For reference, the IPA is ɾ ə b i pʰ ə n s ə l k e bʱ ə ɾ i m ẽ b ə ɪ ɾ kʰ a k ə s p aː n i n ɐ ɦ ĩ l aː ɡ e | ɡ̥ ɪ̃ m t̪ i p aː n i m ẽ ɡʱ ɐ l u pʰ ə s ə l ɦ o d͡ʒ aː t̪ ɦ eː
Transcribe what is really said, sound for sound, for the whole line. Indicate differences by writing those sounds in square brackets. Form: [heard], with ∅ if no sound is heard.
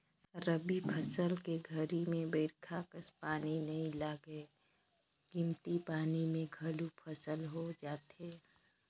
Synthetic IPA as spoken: ɾ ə b i pʰ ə [∅] s ə l k e [ɡʱ] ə ɾ i m ẽ b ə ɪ ɾ kʰ a k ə s p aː n i n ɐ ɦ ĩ l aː ɡ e | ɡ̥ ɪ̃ m t̪ i p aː n i m ẽ ɡʱ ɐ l u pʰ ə s ə l ɦ o d͡ʒ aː t̪ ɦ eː